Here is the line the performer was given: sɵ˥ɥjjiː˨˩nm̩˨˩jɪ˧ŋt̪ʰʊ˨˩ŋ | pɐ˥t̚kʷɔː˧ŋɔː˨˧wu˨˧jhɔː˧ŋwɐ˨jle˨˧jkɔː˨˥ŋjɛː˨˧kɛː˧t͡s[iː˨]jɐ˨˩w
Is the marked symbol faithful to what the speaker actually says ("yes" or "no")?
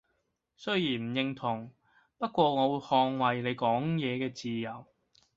yes